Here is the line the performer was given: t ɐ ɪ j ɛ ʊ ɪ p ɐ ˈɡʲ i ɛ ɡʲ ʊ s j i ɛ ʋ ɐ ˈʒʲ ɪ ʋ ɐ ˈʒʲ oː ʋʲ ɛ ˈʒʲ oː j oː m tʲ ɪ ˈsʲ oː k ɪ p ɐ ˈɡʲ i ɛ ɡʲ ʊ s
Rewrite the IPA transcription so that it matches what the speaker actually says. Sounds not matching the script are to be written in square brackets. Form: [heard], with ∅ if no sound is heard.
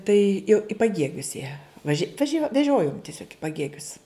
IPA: t ɐ ɪ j ɛ ʊ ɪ p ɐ ˈɡʲ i ɛ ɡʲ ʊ s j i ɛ ʋ ɐ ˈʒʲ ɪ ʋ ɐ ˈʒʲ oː ʋʲ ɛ ˈʒʲ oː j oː m tʲ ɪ ˈsʲ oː k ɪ p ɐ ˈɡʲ i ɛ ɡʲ ʊ s